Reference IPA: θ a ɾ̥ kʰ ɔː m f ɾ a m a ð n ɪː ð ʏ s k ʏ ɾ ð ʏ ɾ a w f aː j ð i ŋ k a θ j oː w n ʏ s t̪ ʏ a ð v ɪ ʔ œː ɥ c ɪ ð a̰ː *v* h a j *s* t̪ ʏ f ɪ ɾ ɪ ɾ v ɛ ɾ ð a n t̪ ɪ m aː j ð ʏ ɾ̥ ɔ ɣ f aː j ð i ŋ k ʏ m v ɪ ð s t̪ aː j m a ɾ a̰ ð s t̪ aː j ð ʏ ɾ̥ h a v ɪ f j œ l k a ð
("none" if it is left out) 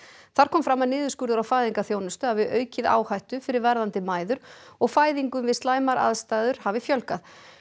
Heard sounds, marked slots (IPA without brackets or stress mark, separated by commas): w, h